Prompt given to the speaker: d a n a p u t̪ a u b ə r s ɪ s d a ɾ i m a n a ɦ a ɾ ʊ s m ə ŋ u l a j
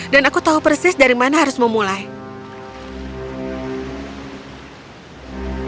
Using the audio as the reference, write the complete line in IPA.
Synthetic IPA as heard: d a n a k u t̪ a u p ə r s ɪ s d a ɾ i m a n a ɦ a ɾ ʊ s m ə m u l a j